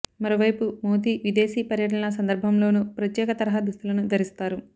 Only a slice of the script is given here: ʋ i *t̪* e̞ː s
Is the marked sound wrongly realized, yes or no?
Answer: yes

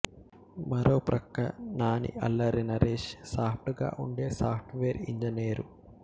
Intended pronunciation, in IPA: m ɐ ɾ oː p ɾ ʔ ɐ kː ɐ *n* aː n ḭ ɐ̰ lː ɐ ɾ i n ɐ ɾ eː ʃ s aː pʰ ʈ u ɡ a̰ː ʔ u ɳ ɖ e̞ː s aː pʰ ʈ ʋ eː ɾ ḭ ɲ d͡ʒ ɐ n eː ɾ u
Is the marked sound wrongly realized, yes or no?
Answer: no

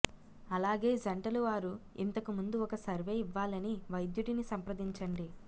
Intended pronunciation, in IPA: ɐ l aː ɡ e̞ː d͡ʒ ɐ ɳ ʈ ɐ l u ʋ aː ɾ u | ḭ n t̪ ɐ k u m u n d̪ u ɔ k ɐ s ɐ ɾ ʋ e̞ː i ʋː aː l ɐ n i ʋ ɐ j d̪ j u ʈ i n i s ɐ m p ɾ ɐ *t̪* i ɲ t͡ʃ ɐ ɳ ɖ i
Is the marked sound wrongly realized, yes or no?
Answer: yes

